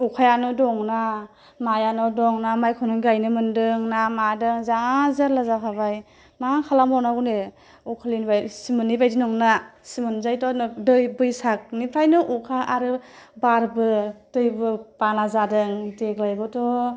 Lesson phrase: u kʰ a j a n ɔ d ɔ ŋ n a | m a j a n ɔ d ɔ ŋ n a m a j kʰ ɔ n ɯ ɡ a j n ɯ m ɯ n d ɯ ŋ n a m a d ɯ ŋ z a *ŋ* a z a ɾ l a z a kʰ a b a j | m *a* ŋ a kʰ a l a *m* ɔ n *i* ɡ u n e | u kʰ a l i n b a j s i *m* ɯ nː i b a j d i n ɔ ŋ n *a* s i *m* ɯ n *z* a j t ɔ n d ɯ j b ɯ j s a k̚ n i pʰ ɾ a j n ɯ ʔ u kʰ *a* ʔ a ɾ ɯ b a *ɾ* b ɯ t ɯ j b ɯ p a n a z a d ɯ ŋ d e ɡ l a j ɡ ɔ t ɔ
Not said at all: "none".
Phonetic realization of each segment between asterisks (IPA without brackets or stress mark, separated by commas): ŋ, a, m, a, m, a, m, z, a, ɾ